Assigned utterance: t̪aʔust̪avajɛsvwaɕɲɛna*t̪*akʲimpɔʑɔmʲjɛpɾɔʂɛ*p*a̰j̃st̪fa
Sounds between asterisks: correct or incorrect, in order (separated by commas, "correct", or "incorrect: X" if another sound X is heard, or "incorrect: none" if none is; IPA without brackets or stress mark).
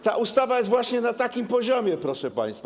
correct, correct